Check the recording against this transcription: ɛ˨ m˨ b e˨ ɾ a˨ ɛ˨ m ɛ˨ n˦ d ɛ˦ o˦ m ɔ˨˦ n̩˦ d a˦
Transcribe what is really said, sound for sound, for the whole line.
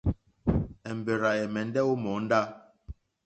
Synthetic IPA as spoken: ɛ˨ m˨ b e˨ ɾ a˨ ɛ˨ m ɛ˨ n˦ d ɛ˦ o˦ m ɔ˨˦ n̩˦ d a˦